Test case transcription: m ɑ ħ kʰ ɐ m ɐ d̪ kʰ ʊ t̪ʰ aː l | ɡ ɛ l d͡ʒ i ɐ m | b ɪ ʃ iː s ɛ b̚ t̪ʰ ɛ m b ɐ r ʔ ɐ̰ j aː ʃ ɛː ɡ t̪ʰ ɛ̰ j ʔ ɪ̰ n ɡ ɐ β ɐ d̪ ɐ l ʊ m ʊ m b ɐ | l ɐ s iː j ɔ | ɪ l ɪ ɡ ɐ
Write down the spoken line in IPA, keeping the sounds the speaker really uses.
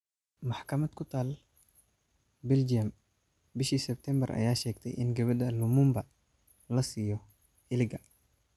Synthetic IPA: m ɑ ħ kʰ ɐ m ɐ d̪ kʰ ʊ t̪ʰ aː l | b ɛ l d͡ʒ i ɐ m | b ɪ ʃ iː s ɛ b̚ t̪ʰ ɛ m b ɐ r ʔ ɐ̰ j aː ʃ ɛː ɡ t̪ʰ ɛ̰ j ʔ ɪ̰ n ɡ ɐ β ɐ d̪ ɐ l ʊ m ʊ m b ɐ | l ɐ s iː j ɔ | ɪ l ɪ ɡ ɐ